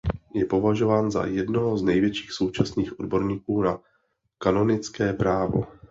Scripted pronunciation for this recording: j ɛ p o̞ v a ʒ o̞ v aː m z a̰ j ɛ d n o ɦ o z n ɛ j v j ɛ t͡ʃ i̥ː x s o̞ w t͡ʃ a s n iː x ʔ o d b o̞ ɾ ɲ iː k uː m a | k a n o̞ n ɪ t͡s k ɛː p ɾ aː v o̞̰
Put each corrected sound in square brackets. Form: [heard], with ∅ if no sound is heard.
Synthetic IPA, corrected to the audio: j ɛ p o̞ v a ʒ o̞ v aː [n] z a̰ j ɛ d n o ɦ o z n ɛ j v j ɛ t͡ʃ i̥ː x s o̞ w t͡ʃ a s n iː x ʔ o d b o̞ ɾ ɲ iː k uː [n] a | k a n o̞ n ɪ t͡s k ɛː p ɾ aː v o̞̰